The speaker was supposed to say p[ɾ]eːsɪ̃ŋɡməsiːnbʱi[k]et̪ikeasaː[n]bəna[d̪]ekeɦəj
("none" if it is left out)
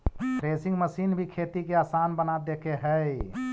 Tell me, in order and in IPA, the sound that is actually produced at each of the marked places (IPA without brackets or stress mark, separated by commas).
ɾ, kʰ, n, d̪